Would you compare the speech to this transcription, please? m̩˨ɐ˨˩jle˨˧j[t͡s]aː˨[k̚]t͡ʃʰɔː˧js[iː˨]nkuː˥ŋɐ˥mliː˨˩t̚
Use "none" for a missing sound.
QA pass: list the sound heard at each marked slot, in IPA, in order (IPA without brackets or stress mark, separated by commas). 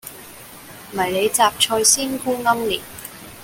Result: t͡s, p̚, iː˥